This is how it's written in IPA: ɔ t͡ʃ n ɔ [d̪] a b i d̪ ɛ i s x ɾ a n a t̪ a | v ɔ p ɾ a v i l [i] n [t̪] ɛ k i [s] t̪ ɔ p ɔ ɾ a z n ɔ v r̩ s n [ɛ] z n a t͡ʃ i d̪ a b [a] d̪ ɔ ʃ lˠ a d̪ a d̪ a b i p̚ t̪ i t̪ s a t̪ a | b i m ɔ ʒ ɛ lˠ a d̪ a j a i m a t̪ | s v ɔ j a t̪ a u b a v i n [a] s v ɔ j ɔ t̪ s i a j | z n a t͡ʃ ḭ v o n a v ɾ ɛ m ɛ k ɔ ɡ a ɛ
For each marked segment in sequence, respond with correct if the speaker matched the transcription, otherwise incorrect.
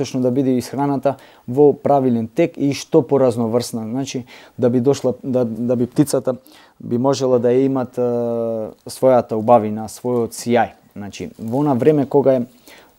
correct, incorrect: ɛ, correct, incorrect: ʃ, incorrect: a, incorrect: i, correct

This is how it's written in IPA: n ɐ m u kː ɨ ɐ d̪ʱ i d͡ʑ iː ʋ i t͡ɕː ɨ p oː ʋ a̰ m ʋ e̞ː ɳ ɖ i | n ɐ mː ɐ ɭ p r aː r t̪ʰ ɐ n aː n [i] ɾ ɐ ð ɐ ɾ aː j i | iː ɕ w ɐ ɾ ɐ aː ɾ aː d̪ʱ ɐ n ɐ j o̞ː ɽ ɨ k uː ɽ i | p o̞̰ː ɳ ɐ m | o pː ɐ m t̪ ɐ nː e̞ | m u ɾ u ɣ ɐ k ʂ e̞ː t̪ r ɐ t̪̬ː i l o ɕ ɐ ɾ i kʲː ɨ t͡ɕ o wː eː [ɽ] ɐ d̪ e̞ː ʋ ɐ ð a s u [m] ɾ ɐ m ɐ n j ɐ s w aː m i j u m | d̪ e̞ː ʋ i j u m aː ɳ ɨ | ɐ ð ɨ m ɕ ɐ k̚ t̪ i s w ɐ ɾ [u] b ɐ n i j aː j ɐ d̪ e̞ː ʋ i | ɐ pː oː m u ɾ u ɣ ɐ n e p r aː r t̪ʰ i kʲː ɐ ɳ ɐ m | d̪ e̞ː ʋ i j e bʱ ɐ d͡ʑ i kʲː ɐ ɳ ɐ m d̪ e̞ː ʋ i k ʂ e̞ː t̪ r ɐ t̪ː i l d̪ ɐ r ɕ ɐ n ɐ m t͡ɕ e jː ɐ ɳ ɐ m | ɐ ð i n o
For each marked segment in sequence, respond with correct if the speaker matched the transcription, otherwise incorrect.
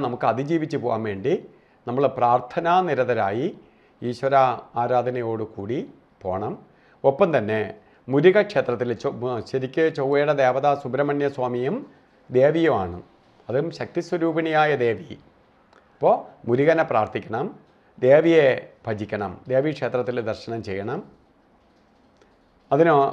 correct, correct, incorrect: b, incorrect: uː

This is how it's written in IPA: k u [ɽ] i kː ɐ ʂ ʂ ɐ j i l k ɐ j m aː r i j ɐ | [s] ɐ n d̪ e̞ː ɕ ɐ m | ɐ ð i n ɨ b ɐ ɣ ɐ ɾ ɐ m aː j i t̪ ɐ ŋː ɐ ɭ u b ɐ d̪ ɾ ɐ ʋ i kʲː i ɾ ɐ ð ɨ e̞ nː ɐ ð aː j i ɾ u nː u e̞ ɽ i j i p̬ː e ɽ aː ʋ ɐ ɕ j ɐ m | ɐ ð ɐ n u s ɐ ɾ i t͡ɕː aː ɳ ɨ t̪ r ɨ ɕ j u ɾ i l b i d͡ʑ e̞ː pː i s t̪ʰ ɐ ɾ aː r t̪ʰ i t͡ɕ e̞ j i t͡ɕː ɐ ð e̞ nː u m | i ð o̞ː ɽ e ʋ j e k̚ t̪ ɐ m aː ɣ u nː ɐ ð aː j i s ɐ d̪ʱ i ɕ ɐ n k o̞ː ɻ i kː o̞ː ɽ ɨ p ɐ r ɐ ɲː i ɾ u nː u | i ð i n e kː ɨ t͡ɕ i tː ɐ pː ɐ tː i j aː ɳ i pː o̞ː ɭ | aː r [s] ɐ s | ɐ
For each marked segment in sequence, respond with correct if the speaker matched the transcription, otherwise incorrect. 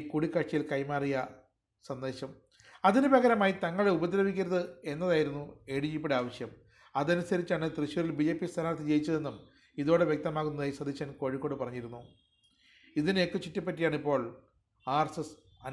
correct, correct, correct

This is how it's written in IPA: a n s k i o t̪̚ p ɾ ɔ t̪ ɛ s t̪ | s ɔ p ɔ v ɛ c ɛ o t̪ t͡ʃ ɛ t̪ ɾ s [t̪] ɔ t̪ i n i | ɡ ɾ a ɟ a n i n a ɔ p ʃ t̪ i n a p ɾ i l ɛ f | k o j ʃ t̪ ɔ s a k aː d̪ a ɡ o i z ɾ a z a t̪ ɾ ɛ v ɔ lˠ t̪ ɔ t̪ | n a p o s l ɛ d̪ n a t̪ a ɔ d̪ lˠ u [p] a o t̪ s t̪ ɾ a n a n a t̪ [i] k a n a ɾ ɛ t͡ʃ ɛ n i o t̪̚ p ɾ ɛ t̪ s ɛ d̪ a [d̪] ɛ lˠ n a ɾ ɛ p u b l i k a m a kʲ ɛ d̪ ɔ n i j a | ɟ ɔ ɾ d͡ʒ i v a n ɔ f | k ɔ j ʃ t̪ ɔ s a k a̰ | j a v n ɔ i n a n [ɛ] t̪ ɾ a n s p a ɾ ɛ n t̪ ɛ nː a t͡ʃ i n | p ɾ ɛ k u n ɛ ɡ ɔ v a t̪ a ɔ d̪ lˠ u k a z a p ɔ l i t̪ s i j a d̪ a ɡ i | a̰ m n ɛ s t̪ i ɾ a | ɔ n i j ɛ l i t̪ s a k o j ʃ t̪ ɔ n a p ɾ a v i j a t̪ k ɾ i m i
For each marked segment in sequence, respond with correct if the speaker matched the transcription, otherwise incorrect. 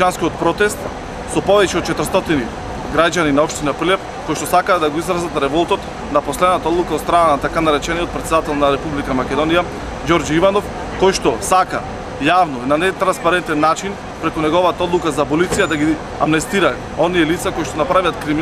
correct, incorrect: k, incorrect: a, incorrect: t̪, correct

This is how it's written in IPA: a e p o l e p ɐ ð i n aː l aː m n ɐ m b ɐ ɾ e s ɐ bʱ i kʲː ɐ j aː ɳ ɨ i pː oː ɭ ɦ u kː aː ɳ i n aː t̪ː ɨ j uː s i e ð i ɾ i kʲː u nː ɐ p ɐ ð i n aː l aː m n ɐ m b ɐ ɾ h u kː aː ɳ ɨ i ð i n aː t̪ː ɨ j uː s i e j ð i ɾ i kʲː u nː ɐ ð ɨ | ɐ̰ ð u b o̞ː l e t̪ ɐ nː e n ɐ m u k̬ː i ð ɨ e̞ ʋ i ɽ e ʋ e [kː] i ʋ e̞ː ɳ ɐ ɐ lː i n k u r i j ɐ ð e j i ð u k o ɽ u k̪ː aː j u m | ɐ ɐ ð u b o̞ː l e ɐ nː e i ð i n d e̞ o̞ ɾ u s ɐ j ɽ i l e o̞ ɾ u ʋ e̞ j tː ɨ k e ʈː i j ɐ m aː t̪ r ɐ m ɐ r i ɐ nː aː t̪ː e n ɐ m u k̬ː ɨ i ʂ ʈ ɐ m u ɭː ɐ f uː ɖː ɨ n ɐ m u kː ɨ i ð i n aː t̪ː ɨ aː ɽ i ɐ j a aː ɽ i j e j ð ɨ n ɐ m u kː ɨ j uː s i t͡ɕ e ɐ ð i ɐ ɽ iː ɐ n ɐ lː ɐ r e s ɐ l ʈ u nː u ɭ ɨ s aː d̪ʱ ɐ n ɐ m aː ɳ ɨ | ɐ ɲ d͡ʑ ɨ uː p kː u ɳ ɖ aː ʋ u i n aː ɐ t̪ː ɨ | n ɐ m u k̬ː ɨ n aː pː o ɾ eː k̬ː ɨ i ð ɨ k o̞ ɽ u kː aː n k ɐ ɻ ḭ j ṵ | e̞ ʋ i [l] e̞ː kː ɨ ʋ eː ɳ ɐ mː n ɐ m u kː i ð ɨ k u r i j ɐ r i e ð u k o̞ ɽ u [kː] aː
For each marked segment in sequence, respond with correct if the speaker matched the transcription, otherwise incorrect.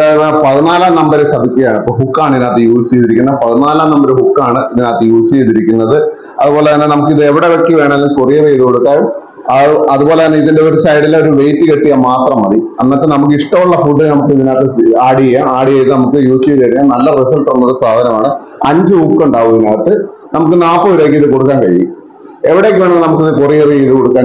correct, incorrect: ɽ, correct

